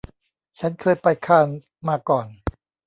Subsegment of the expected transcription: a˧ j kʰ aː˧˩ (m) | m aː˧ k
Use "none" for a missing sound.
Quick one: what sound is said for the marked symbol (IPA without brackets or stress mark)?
n